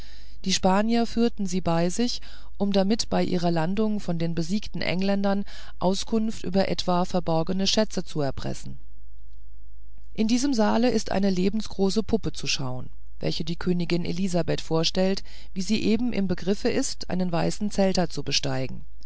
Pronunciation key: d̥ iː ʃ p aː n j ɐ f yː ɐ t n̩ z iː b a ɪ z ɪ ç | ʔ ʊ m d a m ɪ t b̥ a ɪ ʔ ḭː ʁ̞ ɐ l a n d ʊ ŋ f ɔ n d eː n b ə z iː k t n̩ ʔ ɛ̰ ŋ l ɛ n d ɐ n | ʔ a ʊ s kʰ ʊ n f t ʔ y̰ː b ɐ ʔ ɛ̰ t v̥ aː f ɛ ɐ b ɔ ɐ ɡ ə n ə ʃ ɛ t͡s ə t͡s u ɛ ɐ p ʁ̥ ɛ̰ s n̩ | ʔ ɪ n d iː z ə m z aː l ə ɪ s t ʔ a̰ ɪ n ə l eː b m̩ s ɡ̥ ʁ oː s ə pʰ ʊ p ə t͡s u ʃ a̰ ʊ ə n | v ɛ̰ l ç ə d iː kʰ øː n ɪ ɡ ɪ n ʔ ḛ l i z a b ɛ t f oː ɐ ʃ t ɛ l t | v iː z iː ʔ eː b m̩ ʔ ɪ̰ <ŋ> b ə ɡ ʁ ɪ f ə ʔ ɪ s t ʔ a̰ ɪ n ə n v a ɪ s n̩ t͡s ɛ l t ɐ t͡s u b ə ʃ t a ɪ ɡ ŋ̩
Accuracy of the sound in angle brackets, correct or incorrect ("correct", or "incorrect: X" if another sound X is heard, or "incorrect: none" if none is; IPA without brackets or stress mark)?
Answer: incorrect: m